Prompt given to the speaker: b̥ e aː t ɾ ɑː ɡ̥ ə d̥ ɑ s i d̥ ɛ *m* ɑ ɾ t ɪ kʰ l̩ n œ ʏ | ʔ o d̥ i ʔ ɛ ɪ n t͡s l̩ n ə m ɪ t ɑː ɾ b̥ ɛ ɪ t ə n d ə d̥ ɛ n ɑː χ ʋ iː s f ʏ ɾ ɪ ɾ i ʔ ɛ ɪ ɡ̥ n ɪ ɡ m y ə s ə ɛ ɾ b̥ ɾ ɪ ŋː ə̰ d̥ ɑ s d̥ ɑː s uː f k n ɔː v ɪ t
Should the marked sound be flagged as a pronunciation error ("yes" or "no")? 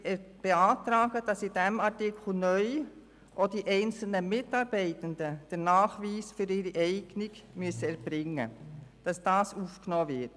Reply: no